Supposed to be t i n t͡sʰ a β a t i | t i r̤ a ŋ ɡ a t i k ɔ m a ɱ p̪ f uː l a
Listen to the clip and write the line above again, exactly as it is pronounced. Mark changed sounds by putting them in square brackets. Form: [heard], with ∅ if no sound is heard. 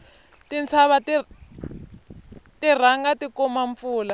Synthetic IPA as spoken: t i n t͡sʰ a β a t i | t i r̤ a ŋ ɡ a t i k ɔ m a ɱ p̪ f uː l a

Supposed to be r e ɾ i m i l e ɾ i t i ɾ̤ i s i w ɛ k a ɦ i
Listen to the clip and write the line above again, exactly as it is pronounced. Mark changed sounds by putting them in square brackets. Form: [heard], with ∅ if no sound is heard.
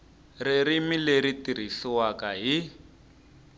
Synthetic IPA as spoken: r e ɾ i m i l e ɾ i t i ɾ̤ i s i w [a] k a ɦ i

